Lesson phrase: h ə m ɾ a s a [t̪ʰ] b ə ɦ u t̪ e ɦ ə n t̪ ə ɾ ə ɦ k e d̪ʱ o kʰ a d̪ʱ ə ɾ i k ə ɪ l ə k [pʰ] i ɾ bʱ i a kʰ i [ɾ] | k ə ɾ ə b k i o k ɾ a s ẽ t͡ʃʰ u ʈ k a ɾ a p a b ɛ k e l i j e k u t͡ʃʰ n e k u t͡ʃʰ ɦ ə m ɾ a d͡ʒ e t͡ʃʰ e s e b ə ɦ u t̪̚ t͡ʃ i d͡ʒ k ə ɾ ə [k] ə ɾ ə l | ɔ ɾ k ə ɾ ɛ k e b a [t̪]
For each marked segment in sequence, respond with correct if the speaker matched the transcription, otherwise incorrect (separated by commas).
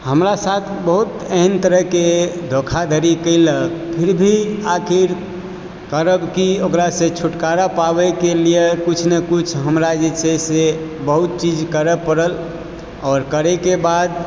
correct, correct, correct, incorrect, incorrect